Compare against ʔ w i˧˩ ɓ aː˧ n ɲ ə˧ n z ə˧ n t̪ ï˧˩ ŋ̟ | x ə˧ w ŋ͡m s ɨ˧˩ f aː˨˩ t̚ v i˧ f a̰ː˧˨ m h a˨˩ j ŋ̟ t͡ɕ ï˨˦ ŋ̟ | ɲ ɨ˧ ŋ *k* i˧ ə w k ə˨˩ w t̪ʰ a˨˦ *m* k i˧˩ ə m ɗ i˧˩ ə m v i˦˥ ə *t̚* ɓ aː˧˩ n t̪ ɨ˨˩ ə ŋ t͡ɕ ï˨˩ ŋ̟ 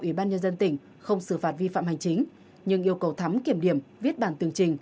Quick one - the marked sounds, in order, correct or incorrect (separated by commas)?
incorrect, correct, correct